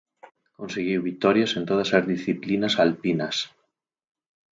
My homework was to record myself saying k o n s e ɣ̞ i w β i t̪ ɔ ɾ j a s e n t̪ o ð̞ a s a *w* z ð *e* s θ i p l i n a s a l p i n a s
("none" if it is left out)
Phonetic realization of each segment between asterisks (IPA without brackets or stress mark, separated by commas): none, i